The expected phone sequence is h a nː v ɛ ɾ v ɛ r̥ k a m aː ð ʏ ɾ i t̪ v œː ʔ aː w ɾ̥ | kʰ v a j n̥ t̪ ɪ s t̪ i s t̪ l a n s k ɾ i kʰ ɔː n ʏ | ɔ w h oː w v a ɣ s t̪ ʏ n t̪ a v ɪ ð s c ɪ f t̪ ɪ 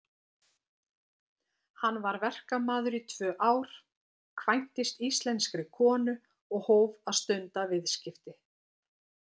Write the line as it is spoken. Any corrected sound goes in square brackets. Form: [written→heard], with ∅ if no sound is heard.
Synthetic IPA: h a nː v [ɛ→a] ɾ v ɛ r̥ k a m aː ð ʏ ɾ i [t̪→t̪ʰ] v œː ʔ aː w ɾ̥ | kʰ v a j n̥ t̪ ɪ s t̪ i s t̪ l [a→ɛ] n s k ɾ [i→ɪ] kʰ ɔː n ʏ | ɔ [w→ɣ] h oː w v a [ɣ→ð] s t̪ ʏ n t̪ a v ɪ ð s c ɪ f t̪ ɪ